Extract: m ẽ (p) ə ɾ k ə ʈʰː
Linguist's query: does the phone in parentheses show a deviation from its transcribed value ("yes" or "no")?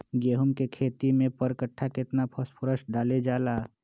no